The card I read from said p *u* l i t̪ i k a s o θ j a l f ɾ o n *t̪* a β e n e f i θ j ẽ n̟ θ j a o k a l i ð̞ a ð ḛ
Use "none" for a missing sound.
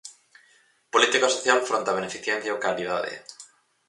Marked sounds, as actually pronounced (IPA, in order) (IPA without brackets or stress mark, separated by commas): o, t̪